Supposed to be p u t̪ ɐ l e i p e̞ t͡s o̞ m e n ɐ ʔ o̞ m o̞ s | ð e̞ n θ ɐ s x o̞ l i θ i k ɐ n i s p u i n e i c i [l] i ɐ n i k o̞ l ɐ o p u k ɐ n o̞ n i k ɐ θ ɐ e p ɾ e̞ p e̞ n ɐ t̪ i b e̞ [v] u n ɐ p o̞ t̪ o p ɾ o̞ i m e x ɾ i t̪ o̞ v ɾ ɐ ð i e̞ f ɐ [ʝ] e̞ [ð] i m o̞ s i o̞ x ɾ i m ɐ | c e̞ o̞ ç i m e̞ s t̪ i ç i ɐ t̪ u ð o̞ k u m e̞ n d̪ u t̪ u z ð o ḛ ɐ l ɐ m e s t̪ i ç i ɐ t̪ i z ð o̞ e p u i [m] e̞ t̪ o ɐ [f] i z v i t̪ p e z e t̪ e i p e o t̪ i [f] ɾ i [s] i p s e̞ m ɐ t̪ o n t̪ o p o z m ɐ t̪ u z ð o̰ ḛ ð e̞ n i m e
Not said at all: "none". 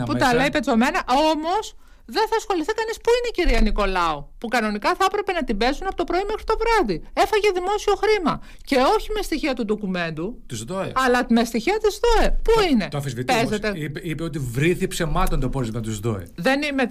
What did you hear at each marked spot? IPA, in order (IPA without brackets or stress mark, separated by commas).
ɾ, z, ʝ, ð, n, f, v, θ